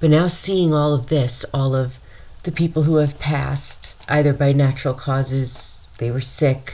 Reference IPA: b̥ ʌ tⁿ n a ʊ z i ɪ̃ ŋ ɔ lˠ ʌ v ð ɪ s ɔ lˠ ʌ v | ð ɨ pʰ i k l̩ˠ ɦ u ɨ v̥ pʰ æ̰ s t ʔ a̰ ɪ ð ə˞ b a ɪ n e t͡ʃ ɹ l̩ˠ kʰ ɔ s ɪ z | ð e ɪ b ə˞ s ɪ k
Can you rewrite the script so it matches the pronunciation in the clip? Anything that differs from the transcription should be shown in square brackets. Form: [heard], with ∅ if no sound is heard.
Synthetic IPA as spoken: b̥ ʌ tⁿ n a ʊ [s] i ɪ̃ ŋ ɔ lˠ ʌ v ð ɪ s ɔ lˠ ʌ v | ð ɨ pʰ i [p] l̩ˠ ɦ u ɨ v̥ pʰ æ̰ s t ʔ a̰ ɪ ð ə˞ b a ɪ n [æ] t͡ʃ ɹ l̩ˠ kʰ ɔ [z] ɪ z | ð e ɪ [w] ə˞ s ɪ k